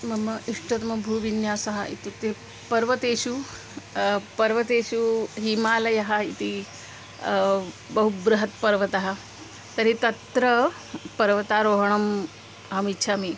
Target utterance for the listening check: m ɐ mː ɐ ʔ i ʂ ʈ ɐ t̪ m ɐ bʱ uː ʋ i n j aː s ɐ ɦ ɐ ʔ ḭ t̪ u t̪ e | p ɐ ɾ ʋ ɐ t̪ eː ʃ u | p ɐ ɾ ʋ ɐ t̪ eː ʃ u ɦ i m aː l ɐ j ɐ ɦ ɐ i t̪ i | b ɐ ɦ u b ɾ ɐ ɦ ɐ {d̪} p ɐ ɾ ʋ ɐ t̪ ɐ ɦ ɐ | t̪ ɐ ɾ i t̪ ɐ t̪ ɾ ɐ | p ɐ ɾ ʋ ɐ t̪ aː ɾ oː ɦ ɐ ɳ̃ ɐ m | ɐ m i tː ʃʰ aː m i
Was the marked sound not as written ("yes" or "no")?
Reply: yes